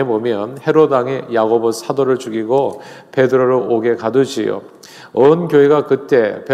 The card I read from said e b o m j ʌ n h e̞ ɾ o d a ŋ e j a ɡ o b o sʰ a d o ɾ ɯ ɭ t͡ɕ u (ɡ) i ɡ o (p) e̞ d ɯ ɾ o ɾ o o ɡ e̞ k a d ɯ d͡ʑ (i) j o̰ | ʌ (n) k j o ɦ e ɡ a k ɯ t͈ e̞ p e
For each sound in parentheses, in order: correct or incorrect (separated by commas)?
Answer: correct, correct, correct, correct